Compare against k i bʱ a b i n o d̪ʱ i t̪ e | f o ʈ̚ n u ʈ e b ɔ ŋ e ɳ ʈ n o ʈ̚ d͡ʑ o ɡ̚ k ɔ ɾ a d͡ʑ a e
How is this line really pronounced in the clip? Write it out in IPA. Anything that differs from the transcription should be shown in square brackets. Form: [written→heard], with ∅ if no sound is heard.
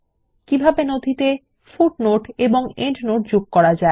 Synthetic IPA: k i bʱ a b [i→e] n o d̪ʱ i t̪ e | f [o→u] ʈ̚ n [u→o] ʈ e b [ɔ→o] ŋ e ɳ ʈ n o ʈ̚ d͡ʑ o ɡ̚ k ɔ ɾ a d͡ʑ a e